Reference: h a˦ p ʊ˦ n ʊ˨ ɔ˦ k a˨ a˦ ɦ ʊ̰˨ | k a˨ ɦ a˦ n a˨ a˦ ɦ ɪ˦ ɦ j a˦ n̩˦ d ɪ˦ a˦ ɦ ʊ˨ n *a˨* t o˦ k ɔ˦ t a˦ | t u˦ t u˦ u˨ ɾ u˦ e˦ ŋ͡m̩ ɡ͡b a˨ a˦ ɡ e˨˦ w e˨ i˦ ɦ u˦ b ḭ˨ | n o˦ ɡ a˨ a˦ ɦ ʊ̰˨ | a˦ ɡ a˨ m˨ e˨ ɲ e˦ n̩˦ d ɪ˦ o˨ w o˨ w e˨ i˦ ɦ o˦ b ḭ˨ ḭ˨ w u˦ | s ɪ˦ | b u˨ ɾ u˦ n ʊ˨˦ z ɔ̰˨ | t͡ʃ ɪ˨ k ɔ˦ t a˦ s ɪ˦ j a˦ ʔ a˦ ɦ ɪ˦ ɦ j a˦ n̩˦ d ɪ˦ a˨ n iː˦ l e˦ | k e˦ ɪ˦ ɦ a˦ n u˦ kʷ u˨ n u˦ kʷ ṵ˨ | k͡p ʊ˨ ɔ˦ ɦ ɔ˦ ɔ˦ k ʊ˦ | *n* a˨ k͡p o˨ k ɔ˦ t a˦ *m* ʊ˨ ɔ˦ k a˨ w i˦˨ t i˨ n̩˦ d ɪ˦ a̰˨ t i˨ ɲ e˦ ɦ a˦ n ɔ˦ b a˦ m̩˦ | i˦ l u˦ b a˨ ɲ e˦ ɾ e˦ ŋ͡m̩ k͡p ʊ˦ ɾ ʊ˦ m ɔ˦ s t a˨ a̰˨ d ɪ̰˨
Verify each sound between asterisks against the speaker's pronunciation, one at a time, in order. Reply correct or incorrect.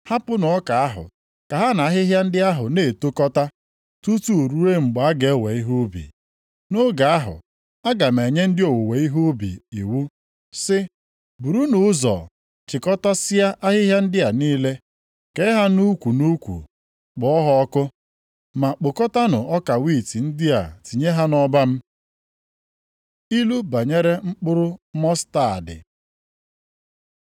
incorrect, incorrect, incorrect

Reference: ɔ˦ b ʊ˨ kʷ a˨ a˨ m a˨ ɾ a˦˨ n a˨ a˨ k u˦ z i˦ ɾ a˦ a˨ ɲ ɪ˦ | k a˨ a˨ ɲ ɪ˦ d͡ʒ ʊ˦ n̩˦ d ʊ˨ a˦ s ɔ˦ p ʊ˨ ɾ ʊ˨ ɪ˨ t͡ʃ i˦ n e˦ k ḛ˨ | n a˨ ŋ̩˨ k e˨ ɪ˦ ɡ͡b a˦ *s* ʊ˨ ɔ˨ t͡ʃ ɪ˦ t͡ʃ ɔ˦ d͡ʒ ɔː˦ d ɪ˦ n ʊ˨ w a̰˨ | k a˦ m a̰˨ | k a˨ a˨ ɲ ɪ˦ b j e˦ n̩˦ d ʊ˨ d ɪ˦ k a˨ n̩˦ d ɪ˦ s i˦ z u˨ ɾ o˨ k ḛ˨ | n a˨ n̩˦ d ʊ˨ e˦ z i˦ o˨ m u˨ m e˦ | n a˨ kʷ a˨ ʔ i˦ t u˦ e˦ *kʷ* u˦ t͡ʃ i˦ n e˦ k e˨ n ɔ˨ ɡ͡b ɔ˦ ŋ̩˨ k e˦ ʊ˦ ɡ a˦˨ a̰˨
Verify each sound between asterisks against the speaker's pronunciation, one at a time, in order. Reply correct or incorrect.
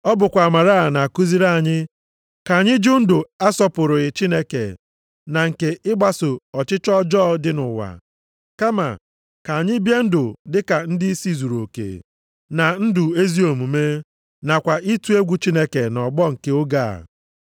correct, incorrect

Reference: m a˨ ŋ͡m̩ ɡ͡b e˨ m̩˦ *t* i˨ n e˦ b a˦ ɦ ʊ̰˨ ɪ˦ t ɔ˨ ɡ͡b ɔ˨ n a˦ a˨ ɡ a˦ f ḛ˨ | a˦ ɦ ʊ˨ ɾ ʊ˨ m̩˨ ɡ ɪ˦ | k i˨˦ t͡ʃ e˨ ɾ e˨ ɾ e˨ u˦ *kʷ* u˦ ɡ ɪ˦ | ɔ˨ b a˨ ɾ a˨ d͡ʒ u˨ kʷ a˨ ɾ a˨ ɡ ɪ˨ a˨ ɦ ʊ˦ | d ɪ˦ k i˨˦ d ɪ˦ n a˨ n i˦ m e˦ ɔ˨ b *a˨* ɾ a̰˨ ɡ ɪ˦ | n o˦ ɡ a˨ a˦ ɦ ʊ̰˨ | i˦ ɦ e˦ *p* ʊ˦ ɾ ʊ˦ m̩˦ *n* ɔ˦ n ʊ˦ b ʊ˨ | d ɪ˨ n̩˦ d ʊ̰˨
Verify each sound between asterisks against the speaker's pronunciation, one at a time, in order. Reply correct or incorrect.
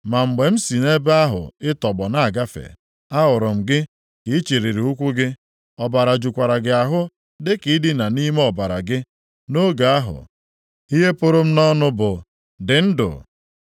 incorrect, correct, correct, correct, correct

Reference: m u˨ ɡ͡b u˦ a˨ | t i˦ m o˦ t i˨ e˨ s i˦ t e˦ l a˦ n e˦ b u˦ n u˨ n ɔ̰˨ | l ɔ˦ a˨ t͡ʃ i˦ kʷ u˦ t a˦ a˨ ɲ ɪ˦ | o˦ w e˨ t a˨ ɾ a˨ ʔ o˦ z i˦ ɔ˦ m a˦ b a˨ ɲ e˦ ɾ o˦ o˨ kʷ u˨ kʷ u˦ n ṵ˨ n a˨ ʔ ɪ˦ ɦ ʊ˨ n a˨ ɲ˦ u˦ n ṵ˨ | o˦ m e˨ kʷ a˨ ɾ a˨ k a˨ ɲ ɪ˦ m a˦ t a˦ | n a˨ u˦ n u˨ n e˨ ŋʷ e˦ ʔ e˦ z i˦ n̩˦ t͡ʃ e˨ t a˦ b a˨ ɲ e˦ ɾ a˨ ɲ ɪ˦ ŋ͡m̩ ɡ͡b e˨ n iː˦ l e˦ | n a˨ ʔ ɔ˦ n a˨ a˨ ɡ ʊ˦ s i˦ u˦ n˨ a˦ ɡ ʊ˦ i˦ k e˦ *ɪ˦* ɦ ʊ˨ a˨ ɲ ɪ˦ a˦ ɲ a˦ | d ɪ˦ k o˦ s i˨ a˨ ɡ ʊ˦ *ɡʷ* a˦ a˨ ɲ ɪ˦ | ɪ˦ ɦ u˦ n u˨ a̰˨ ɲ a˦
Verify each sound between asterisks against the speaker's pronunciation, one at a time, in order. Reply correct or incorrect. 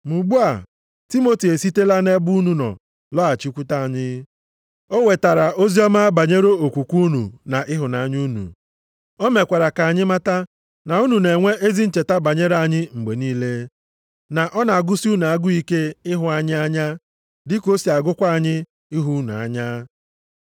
correct, incorrect

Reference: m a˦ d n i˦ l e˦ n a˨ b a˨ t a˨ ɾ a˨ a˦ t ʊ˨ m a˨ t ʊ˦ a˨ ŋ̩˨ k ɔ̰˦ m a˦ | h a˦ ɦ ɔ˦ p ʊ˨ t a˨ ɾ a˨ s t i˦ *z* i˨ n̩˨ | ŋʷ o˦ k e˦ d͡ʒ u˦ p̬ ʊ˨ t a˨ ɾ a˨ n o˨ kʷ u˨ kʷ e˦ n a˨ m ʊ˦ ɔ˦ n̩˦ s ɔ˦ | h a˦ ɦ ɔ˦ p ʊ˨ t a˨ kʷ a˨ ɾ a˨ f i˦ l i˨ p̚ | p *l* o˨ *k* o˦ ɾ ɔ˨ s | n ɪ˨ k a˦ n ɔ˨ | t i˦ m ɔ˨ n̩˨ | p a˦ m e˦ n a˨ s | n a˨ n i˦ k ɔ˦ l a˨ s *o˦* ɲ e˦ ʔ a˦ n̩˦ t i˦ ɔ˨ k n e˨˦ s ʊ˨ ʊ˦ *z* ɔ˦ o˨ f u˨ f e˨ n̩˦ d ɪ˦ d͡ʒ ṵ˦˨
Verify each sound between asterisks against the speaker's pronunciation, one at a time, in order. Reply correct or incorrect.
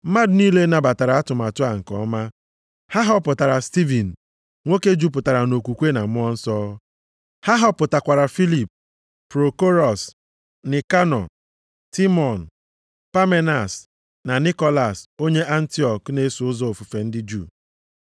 incorrect, incorrect, correct, correct, correct

